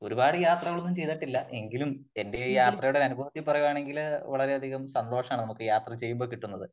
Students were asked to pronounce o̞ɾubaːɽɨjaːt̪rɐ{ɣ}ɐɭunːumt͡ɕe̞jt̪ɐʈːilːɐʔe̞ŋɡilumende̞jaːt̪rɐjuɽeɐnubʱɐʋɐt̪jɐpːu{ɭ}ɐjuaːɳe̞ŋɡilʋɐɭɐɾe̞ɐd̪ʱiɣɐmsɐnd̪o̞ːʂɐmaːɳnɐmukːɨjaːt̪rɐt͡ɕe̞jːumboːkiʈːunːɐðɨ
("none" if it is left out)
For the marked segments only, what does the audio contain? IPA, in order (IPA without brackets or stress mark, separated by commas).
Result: ɣ, r